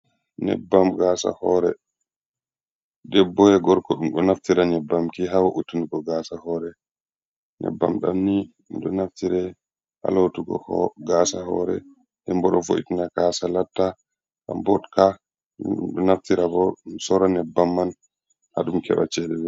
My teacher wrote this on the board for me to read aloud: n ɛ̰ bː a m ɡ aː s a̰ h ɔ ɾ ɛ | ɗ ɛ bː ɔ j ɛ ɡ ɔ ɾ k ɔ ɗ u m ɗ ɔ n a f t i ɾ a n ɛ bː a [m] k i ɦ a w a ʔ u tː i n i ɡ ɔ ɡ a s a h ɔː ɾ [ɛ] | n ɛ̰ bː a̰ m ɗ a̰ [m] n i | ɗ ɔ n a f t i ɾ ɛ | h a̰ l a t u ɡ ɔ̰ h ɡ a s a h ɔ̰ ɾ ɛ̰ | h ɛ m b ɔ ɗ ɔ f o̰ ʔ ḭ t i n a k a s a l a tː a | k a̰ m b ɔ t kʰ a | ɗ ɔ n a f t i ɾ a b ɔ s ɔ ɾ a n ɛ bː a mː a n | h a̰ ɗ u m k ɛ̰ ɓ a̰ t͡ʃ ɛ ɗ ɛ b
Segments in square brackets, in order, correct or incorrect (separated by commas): correct, correct, correct